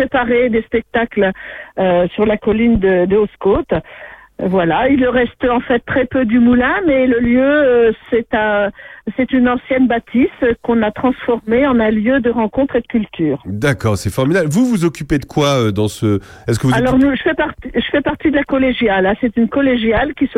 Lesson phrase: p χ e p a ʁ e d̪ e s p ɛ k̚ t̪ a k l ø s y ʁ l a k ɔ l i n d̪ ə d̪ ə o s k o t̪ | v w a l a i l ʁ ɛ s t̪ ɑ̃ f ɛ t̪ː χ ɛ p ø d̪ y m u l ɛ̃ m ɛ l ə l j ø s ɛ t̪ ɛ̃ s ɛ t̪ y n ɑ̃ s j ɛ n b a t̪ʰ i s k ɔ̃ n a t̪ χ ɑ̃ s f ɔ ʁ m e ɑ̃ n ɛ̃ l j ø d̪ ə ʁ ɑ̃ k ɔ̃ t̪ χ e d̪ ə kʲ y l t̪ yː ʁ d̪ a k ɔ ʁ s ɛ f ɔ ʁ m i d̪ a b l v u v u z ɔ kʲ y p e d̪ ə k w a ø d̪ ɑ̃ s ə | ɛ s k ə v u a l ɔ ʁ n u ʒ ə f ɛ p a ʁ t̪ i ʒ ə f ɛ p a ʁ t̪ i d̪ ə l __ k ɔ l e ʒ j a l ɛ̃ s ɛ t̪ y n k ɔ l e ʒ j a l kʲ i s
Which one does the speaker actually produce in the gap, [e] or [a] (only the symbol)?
a